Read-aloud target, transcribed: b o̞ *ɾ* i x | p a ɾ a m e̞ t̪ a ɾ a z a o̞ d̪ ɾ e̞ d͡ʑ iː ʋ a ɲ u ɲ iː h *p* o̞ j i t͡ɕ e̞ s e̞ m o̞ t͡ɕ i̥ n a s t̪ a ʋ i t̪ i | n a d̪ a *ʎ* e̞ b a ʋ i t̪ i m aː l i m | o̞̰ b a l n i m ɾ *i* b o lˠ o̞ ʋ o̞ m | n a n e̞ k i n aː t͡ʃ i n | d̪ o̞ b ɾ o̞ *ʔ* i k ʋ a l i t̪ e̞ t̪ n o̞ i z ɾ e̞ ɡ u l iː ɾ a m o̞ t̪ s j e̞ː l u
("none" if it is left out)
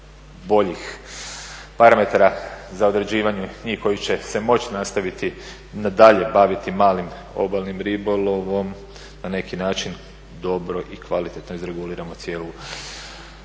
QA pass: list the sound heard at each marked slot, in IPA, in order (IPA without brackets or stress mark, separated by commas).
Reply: ʎ, k, ʎ, i, ʔ